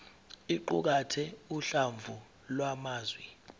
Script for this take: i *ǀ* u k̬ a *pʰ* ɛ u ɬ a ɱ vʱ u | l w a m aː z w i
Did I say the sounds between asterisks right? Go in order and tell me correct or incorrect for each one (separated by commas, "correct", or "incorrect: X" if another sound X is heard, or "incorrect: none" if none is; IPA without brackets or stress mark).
incorrect: ǃ, incorrect: tʰ